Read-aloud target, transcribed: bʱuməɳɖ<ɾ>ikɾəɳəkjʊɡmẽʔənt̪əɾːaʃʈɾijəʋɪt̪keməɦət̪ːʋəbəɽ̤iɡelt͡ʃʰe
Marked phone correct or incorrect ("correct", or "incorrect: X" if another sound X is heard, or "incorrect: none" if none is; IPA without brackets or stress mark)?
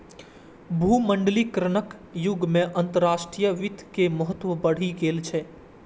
incorrect: l